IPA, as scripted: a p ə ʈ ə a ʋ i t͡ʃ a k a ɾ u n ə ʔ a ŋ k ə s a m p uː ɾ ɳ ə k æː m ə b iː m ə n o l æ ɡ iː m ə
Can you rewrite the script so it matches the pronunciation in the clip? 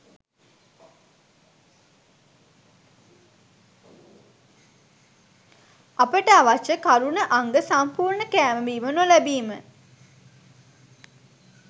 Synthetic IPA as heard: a p ə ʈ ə a ʋ a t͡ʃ ə k a ɾ u n ə ʔ a ŋ ɡ ə s a m p uː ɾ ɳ ə k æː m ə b iː m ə n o l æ b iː m ə